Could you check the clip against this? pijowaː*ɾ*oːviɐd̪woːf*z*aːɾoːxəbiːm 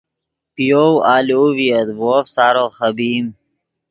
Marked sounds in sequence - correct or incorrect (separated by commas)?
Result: incorrect, incorrect